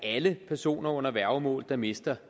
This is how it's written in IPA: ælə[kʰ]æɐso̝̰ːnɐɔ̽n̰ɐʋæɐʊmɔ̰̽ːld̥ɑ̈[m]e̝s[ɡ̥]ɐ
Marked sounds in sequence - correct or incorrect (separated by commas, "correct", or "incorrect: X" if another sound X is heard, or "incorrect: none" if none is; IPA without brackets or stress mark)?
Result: incorrect: pʰ, correct, incorrect: d̥